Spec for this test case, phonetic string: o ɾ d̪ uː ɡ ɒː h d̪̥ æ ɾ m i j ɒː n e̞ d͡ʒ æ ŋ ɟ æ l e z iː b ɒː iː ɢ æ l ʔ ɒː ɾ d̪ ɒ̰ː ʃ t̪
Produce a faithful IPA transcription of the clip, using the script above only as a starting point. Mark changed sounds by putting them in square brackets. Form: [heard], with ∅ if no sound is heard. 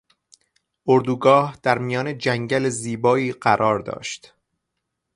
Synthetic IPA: o ɾ d̪ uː ɡ ɒː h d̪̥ æ ɾ m i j ɒː n e̞ d͡ʒ æ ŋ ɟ æ l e z iː b ɒː iː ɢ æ [ɾ] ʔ ɒː ɾ d̪ ɒ̰ː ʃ t̪

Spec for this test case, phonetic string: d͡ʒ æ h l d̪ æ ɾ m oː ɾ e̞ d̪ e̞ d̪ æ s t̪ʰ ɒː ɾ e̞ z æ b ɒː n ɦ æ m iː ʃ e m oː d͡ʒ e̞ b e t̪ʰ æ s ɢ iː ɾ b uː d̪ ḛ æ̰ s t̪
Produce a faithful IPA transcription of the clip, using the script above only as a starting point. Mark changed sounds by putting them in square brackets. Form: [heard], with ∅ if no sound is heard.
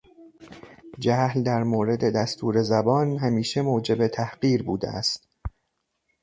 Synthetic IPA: d͡ʒ æ h l d̪ æ ɾ m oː ɾ e̞ d̪ e̞ d̪ æ s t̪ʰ [uː] ɾ e̞ z æ b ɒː n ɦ æ m iː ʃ e m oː d͡ʒ e̞ b e t̪ʰ æ [h] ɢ iː ɾ b uː d̪ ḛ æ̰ s t̪

